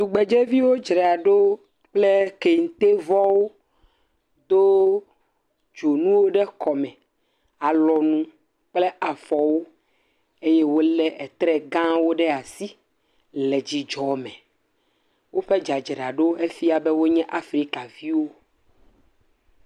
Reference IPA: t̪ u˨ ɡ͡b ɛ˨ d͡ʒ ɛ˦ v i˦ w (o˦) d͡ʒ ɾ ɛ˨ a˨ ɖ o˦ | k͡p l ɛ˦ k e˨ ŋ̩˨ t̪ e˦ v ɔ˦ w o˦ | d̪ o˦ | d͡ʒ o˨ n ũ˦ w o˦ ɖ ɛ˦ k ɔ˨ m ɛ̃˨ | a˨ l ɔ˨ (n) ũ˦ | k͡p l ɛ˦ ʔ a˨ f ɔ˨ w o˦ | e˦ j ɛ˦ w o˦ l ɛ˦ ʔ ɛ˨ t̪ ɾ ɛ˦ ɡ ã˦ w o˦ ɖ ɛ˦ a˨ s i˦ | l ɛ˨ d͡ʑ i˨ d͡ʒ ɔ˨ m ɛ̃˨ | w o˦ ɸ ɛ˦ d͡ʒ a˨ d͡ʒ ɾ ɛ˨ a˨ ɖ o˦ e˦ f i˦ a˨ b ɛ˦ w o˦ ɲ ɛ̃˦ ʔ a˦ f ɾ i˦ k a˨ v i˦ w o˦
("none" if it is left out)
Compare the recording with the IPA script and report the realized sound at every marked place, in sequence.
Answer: o˦, n

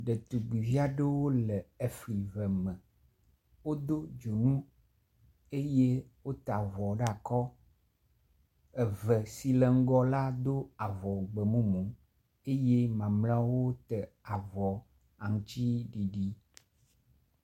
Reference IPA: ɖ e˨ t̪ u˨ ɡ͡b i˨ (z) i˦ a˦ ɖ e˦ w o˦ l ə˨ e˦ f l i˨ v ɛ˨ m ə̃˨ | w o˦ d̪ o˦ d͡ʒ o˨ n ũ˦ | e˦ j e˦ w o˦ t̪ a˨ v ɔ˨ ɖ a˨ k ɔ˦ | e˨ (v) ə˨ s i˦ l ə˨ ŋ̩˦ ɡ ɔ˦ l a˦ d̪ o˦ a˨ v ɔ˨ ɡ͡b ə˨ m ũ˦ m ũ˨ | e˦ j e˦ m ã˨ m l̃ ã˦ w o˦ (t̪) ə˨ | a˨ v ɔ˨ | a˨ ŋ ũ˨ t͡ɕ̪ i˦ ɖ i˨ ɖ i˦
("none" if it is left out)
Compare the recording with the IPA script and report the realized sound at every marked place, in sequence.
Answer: v, v, t̪

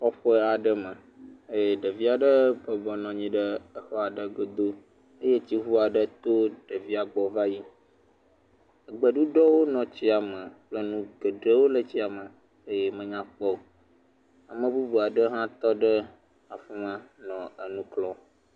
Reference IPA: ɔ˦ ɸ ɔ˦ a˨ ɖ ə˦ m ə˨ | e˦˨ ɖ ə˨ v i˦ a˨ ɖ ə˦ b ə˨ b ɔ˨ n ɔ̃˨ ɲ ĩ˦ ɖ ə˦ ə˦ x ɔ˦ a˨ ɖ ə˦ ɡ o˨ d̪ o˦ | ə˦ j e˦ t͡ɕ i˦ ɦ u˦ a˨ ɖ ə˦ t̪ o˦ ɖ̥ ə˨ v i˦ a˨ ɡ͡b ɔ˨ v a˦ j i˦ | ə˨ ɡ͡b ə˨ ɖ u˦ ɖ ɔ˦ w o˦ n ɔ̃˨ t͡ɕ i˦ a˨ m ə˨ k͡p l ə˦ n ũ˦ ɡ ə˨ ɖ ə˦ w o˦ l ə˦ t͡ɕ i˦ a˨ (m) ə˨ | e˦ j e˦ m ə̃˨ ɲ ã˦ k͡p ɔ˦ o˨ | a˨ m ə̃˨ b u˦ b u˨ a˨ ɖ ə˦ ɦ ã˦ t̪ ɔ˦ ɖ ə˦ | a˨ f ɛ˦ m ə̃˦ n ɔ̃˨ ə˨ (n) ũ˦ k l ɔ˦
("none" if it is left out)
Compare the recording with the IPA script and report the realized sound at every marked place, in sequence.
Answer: m, n

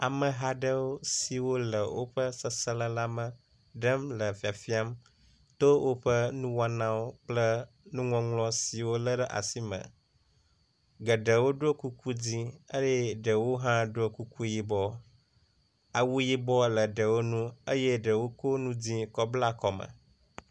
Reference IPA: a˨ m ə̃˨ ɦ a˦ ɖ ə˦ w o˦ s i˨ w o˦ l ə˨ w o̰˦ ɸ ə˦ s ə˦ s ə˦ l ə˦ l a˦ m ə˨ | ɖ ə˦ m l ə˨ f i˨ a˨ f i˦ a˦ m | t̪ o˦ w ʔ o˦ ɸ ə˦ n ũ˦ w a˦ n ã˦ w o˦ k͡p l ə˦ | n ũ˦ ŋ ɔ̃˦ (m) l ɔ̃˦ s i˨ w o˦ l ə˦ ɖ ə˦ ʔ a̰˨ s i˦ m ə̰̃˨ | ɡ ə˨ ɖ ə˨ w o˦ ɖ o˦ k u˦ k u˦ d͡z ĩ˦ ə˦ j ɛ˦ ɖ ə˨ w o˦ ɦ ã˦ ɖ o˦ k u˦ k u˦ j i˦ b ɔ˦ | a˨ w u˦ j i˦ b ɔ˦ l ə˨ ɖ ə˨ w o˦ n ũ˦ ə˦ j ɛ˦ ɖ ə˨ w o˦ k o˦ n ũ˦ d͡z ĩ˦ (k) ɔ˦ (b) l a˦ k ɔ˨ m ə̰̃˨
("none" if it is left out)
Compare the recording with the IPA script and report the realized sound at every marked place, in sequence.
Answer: ŋ, k, b

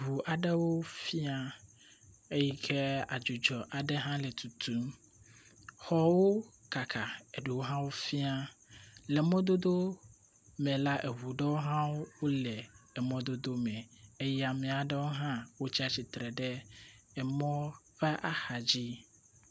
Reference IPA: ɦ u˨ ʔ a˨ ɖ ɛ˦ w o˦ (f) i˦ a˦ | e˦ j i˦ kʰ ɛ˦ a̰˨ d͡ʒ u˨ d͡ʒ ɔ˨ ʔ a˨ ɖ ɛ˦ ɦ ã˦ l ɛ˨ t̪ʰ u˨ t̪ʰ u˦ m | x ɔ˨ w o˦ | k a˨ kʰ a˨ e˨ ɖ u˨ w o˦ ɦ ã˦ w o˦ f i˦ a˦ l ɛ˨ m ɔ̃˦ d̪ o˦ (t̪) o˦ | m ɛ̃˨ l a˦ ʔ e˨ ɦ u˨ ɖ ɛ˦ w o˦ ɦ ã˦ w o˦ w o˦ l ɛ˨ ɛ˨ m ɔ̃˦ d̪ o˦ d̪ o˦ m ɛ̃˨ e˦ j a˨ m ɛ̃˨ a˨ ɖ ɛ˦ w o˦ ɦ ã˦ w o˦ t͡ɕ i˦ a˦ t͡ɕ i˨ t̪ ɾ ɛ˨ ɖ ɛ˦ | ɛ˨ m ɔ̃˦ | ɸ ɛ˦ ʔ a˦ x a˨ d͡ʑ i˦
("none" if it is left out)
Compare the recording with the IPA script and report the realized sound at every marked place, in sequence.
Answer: f, d̪

